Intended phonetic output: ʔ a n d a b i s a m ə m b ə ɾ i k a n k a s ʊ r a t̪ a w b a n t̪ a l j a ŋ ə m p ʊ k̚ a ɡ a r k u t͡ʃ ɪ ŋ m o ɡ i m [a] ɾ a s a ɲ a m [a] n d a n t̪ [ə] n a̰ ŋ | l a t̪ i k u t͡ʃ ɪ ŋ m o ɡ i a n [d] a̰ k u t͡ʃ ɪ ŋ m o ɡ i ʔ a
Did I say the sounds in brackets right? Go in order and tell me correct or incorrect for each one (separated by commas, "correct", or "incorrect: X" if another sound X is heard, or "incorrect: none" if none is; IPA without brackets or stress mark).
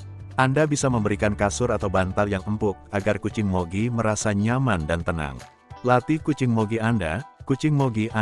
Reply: incorrect: ə, correct, correct, correct